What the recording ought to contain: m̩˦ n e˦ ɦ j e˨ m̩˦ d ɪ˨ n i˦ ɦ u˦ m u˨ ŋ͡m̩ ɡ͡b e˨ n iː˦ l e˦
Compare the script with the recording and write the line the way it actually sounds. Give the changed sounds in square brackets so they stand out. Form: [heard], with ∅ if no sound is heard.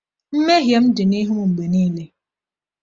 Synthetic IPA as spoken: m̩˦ [m] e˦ ɦ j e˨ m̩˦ d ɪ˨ n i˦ ɦ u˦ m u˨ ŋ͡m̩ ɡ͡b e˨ n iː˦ l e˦